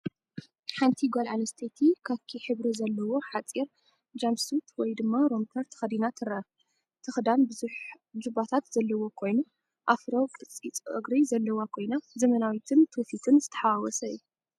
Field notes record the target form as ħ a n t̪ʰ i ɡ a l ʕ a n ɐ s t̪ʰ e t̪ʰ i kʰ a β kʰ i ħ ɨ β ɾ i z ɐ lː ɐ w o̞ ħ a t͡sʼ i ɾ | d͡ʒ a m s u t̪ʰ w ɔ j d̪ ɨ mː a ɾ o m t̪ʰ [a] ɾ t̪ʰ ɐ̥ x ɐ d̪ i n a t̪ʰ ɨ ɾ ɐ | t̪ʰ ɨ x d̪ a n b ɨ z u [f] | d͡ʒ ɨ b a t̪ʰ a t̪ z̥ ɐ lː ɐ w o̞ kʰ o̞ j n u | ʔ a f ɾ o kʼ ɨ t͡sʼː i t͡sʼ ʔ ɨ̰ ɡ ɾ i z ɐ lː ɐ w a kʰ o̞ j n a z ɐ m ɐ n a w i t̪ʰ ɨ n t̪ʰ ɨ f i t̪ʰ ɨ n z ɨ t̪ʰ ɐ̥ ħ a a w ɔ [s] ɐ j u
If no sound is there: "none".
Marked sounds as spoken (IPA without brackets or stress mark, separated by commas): ɐ, ħ, s